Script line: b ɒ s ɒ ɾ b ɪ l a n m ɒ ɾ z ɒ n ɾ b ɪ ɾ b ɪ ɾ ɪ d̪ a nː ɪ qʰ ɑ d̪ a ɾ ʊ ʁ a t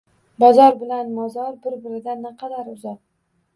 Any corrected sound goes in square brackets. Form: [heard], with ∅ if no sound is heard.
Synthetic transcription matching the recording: b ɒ [z] ɒ ɾ b ɪ l a n m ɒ [∅] z ɒ [∅] ɾ b ɪ ɾ b ɪ ɾ ɪ d̪ a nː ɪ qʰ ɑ d̪ a ɾ ʊ [z] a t